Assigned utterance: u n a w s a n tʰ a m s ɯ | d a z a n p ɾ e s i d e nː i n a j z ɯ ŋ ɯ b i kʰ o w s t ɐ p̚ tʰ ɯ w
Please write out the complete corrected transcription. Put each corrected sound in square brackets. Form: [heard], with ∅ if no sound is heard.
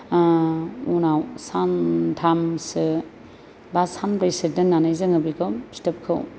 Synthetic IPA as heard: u n a w s a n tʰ a m s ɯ | [b] a [s] a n p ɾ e s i d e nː [a] n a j z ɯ ŋ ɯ b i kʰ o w s t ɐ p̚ [kʰ] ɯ w

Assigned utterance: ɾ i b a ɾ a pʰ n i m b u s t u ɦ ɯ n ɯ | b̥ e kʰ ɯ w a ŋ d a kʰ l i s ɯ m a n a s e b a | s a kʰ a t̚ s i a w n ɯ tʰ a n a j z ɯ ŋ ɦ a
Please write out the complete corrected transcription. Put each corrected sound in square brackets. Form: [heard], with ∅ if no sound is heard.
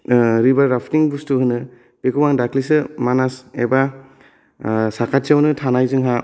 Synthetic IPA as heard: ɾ i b a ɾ a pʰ n i [ŋ] b u s t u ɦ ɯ n ɯ | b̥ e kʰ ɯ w a ŋ d a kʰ l i s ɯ m a n a s e b a | s a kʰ a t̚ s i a w n ɯ tʰ a n a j z ɯ ŋ ɦ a

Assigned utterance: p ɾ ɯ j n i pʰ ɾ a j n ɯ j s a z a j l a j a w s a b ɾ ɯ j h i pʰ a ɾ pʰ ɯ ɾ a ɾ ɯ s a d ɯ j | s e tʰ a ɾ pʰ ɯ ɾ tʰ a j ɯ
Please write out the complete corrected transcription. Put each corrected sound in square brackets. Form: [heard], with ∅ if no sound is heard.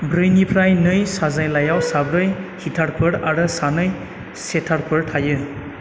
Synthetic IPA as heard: [b] ɾ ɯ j n i pʰ ɾ a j n ɯ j s a z a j l a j a w s a b ɾ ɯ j h i [tʰ] a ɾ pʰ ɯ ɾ a ɾ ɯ s a [n] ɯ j | s e tʰ a ɾ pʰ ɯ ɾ tʰ a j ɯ

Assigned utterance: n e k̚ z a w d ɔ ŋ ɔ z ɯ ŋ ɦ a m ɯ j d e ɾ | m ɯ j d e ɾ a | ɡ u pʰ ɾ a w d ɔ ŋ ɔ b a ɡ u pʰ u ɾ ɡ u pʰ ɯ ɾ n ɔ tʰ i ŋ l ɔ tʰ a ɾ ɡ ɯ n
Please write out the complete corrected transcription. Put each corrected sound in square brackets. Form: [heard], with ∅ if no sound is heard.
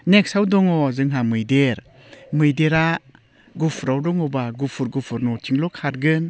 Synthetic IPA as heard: n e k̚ [s] a w d ɔ ŋ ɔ z ɯ ŋ ɦ a m ɯ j d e ɾ | m ɯ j d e ɾ a | ɡ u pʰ ɾ a w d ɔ ŋ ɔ b a ɡ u pʰ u ɾ ɡ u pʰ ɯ ɾ n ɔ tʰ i ŋ l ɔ [kʰ] a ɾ ɡ ɯ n

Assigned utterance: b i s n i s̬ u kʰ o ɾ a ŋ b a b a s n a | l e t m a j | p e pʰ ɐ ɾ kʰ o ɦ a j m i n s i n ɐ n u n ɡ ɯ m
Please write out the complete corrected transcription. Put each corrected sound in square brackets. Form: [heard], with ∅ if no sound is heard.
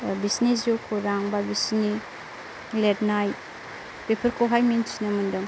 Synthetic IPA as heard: b i s n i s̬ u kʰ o ɾ a ŋ b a b [i] s n [i] | l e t [n] a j | p e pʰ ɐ ɾ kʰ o ɦ a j m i n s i n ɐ [m] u n [d] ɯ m

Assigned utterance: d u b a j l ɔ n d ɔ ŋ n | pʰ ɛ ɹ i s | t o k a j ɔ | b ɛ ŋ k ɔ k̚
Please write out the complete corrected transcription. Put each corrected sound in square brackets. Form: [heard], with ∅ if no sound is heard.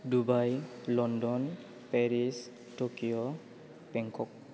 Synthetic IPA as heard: d u b a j l ɔ n d ɔ [∅] n | [p] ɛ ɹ i s | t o k [i] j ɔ | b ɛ ŋ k ɔ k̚

